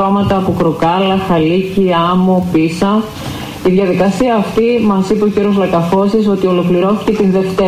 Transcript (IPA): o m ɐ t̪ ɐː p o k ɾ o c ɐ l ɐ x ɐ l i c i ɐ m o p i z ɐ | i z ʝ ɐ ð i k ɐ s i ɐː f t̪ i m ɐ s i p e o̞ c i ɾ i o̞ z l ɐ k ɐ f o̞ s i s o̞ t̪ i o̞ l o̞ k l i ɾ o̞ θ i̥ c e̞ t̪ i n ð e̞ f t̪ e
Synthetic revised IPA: o m ɐ t̪ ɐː p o k ɾ o k ɐ l ɐ x ɐ l i c i ɐ m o p i s ɐ | i ð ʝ ɐ ð i k ɐ s i ɐː f t̪ i m ɐ s i p e o̞ c i ɾ i o̞ z l ɐ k ɐ f o̞ s i s o̞ t̪ i o̞ l o̞ k l i ɾ o̞ θ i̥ c e̞ t̪ i n ð e̞ f t̪ e